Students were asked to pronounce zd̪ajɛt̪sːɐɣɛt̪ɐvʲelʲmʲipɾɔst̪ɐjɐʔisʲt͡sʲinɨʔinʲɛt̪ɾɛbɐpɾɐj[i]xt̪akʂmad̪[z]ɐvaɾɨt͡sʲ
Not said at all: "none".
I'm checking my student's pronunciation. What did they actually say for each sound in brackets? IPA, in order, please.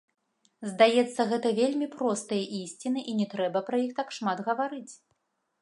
i, ɣ

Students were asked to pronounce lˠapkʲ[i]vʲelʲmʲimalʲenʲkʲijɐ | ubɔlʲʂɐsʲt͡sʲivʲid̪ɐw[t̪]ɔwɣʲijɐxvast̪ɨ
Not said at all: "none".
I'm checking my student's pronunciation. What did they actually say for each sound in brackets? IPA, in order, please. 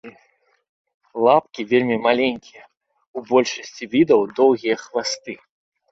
i, d̪

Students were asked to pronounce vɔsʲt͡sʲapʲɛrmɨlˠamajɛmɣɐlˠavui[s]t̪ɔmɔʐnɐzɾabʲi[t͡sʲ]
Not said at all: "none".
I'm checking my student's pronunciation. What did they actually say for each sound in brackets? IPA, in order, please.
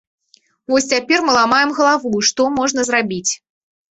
ʂ, t͡sʲ

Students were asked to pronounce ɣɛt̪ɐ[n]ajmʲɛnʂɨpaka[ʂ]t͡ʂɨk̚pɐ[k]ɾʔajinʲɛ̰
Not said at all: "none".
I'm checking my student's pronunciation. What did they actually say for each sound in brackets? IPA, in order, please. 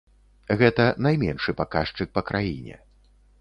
n, ʂ, k

